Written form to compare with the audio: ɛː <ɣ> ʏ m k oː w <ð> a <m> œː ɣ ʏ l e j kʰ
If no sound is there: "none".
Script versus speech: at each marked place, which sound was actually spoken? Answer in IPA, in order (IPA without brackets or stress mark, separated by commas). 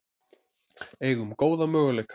ɣ, ð, m